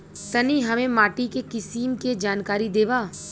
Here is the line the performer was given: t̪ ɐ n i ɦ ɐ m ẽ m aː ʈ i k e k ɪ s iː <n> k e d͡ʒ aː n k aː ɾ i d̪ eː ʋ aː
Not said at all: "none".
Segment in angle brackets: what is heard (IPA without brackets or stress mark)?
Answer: m